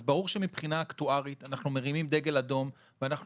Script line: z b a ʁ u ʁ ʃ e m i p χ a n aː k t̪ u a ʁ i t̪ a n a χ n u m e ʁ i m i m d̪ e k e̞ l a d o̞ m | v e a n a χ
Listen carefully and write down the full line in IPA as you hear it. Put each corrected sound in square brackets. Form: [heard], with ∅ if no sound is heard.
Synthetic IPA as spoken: z b a ʁ u ʁ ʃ e m i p χ [i] n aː k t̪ u a ʁ i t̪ a n a χ n u m e ʁ i m i m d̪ e [ɡ] e̞ l a d o̞ m | v e a n a χ